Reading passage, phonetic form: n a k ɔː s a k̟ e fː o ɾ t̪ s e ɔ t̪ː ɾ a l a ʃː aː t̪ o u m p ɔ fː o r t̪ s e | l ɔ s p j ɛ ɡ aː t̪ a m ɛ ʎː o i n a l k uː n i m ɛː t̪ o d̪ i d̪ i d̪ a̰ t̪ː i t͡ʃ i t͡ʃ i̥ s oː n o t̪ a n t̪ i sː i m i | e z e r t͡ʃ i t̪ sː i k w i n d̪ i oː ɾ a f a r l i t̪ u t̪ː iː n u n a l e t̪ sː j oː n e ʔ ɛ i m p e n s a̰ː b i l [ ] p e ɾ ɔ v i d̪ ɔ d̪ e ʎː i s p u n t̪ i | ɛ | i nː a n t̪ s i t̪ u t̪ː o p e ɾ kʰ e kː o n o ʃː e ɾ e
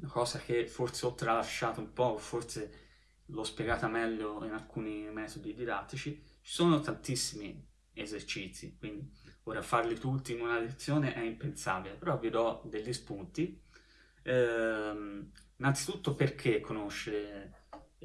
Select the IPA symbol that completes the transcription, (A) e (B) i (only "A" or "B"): A